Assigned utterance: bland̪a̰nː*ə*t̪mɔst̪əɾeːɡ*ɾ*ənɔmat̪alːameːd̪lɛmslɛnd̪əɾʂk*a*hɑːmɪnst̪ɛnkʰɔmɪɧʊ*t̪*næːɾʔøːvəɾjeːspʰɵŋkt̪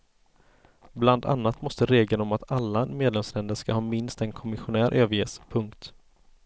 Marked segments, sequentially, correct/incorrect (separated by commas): incorrect, incorrect, correct, incorrect